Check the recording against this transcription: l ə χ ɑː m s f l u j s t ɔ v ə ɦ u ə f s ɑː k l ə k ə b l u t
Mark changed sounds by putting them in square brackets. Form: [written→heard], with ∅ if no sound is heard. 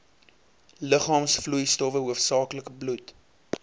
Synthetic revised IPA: l ə χ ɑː m s f l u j s t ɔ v ə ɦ u ə f s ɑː k l ə k ə b l u t